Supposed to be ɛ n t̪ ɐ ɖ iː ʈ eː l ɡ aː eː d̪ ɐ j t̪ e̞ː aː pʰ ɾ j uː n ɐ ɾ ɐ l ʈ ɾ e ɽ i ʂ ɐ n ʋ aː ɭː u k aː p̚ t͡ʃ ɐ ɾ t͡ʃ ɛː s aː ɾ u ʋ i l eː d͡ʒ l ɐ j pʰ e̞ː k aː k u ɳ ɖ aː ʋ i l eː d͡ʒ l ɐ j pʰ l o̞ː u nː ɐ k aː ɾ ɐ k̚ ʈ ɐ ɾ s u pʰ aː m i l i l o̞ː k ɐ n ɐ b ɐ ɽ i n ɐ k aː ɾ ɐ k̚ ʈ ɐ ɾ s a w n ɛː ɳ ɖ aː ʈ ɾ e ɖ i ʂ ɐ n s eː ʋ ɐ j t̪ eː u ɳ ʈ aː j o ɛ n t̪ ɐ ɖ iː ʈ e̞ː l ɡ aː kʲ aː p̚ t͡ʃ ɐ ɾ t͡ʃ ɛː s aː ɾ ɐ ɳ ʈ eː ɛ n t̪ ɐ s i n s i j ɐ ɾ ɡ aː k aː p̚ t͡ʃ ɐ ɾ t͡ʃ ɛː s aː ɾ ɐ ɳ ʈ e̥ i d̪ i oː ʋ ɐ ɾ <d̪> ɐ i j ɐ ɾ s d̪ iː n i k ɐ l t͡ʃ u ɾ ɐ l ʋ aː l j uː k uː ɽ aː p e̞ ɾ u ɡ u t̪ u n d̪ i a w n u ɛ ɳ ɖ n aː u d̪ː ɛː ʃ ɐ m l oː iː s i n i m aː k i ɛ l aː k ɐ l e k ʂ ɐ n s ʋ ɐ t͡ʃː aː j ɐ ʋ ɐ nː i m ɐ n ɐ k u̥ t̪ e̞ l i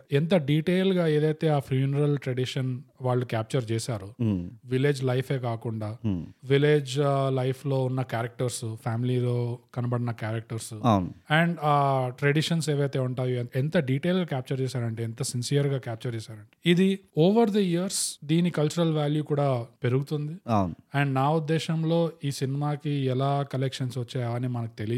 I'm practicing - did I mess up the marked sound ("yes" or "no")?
no